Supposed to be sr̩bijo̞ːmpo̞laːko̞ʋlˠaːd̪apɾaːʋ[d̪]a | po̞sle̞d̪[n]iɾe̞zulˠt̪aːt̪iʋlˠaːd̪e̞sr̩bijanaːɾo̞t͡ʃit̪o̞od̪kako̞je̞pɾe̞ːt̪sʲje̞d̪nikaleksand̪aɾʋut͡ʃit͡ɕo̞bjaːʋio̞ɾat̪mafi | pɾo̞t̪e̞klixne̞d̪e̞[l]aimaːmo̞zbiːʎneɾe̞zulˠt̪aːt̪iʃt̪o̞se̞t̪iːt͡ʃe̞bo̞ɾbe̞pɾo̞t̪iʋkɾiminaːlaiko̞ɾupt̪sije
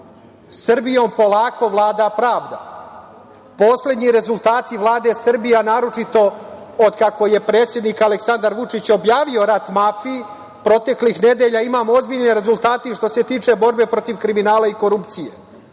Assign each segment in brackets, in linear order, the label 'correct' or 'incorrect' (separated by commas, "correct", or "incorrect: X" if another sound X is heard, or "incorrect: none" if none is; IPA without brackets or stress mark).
correct, incorrect: ɲ, incorrect: ʎ